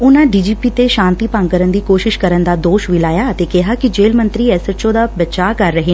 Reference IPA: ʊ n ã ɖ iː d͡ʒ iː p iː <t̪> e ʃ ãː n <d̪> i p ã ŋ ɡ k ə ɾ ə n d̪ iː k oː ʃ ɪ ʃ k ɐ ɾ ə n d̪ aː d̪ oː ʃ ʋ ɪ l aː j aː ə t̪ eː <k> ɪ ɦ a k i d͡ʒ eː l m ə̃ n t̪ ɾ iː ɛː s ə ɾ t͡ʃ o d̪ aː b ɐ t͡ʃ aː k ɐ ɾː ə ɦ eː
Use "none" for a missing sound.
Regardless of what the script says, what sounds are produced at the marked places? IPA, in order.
t̪, t̪, k

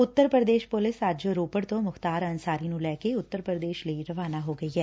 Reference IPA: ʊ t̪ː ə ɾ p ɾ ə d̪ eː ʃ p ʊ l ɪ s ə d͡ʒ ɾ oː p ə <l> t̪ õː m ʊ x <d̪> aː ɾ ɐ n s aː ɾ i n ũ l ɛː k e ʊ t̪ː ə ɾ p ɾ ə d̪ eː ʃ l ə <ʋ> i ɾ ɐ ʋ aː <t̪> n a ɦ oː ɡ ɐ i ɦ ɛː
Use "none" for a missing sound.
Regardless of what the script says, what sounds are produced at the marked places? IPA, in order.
ɽ, t̪, none, none

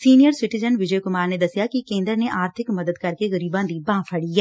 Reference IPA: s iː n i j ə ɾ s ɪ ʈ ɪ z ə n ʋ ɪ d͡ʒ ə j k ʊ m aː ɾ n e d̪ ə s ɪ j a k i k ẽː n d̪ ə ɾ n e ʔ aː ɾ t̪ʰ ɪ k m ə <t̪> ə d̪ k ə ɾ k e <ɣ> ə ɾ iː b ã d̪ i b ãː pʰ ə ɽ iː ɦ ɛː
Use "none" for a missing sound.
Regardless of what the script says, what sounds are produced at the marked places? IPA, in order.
d̪, ɣ

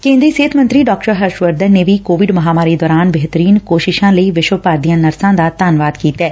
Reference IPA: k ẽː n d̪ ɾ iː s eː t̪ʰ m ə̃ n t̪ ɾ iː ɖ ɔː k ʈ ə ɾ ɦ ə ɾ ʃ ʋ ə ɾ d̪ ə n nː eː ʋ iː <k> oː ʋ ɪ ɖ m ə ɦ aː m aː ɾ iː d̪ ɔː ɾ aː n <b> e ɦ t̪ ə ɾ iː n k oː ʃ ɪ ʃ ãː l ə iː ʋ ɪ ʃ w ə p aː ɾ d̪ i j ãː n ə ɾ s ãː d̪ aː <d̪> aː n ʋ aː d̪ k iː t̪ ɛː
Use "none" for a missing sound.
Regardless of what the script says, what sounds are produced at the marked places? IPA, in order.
k, b, t̪

